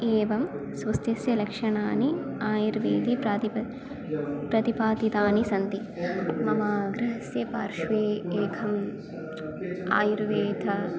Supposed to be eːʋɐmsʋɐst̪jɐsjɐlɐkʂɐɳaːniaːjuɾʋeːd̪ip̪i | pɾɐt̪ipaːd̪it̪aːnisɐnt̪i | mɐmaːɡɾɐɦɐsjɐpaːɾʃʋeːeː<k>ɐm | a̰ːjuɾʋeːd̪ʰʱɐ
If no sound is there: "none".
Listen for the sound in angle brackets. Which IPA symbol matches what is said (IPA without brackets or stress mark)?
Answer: kʰ